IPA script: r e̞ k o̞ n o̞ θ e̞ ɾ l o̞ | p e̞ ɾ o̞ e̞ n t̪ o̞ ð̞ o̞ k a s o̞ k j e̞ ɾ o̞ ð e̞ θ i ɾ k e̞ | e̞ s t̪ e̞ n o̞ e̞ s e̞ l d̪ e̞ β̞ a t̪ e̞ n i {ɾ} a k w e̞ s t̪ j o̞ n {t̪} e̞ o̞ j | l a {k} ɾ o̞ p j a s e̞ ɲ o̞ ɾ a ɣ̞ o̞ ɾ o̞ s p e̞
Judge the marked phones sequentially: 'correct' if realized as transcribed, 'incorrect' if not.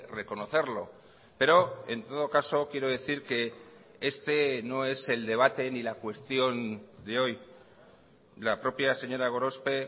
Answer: incorrect: l, incorrect: d̪, incorrect: p

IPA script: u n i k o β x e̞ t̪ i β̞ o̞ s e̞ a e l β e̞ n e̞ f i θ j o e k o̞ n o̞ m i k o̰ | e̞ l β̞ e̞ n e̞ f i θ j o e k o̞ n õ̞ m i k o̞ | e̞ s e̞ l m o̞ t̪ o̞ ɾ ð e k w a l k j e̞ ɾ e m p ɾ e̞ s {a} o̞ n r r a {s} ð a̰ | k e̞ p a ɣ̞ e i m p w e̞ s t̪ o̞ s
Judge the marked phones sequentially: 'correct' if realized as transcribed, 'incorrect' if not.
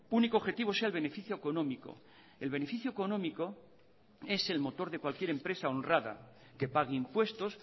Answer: correct, incorrect: none

